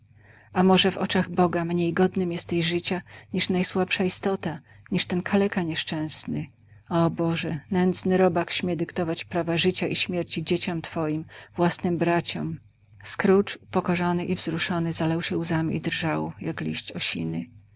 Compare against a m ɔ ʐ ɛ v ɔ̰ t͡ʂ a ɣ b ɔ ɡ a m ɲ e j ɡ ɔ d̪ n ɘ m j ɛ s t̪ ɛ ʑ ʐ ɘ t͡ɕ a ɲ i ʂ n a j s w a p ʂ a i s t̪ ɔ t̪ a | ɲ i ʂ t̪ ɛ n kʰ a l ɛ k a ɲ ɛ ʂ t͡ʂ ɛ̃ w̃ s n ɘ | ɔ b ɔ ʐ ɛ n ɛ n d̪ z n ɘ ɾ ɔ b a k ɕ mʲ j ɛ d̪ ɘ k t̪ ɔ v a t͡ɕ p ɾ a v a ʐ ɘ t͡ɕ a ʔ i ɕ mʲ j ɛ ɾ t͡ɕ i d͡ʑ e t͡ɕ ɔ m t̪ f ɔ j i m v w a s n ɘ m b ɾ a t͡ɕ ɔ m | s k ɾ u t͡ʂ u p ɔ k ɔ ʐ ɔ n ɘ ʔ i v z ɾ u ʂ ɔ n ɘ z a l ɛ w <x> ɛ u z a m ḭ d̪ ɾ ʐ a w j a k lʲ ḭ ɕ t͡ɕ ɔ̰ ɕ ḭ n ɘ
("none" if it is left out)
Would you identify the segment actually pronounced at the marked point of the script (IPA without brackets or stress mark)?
ɕ